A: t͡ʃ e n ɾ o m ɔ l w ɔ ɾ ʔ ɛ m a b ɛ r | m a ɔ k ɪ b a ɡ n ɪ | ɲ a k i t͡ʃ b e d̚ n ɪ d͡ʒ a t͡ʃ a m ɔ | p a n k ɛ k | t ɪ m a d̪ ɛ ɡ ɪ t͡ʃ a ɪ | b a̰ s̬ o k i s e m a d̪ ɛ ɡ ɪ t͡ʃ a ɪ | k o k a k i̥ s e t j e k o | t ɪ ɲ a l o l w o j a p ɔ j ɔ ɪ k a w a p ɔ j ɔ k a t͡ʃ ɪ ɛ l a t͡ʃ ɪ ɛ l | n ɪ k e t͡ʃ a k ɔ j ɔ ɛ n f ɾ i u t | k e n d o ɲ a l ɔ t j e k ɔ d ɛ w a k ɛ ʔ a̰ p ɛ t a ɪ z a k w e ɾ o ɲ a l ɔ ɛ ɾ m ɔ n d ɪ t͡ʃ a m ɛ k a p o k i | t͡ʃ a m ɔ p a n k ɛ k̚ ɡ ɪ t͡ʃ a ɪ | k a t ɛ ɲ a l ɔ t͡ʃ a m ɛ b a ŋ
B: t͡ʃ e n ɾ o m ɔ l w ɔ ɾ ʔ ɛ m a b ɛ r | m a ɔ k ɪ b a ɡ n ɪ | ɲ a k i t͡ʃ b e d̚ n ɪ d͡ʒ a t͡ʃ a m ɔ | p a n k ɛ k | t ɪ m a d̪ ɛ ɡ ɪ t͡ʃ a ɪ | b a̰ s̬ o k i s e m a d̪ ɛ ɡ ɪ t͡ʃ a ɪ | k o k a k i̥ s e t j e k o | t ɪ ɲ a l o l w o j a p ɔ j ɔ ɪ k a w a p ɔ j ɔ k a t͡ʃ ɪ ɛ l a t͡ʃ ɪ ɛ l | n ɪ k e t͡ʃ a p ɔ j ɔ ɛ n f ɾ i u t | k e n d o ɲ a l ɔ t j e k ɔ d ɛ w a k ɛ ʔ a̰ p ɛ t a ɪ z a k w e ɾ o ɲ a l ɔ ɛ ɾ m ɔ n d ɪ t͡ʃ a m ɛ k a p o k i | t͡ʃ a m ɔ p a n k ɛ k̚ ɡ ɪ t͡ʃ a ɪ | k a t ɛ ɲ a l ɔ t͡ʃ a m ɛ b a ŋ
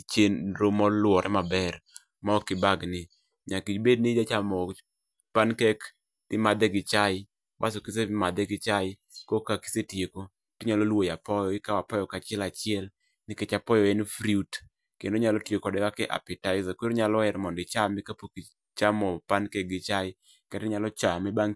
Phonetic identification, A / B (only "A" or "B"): B